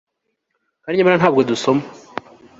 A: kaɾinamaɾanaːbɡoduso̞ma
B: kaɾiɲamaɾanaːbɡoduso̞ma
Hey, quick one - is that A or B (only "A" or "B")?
B